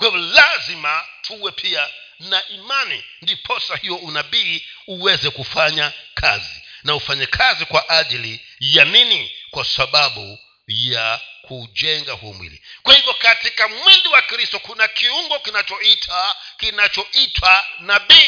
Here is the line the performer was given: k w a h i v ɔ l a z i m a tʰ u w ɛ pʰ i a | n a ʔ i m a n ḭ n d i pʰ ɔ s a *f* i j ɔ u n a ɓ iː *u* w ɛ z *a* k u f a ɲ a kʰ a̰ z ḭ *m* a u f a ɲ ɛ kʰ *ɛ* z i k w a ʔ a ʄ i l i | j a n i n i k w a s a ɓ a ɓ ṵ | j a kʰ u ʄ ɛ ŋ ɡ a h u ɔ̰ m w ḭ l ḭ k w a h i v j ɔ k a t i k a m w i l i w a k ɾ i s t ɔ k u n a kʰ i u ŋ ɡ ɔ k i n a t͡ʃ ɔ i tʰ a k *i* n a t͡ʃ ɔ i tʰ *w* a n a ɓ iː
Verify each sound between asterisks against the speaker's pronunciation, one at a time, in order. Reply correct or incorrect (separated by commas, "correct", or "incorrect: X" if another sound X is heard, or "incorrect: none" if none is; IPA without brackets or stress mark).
incorrect: h, correct, incorrect: ɛ, incorrect: n, incorrect: a, correct, correct